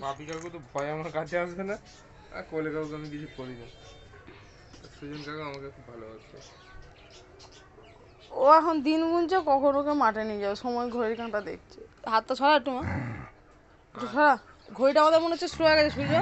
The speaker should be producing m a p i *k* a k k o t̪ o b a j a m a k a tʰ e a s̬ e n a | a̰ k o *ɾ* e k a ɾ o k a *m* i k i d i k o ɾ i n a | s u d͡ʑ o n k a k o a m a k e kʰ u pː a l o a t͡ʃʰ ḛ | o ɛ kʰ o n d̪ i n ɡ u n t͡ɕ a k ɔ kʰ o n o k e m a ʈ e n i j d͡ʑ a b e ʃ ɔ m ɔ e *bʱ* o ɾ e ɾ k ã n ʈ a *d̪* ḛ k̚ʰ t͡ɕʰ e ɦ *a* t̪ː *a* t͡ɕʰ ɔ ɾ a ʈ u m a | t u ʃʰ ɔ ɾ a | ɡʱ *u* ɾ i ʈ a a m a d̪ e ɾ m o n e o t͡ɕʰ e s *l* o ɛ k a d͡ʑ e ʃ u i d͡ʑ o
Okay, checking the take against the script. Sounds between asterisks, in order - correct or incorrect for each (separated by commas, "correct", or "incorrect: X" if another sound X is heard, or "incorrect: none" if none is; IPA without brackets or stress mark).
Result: correct, incorrect: l, correct, incorrect: ɡʱ, correct, correct, correct, incorrect: o, incorrect: ɾ